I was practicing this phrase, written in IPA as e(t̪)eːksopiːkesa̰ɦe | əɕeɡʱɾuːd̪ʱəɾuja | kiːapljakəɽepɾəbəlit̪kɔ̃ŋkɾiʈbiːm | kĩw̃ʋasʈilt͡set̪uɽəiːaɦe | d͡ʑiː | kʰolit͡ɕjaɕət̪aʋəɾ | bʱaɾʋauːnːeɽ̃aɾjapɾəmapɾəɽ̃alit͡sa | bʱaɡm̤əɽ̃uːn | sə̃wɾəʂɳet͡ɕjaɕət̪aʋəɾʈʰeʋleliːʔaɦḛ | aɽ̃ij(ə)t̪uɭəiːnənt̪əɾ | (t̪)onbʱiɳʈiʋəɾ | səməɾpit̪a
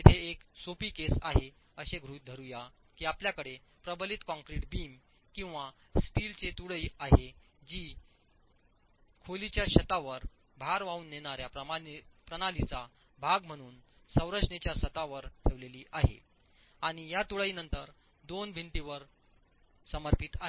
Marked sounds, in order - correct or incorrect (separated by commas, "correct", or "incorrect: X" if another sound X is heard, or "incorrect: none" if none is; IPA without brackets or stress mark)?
incorrect: t̪ʰ, incorrect: a, incorrect: d̪